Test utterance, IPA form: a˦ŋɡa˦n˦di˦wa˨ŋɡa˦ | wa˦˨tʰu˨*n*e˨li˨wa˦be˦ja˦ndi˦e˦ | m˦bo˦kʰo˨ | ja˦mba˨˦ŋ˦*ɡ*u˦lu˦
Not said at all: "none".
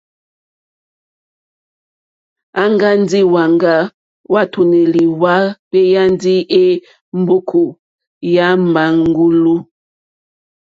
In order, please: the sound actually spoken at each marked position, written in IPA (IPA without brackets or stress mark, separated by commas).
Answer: n, ɡ